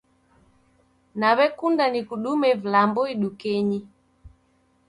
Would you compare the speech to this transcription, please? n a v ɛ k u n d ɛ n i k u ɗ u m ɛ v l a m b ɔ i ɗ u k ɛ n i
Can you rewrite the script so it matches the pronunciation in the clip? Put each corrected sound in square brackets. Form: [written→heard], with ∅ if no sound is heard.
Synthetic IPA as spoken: n a [v→β] ɛ k u n d [ɛ→a] n i k u ɗ u m ɛ v l a m b ɔ i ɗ u k ɛ [n→ɲ] i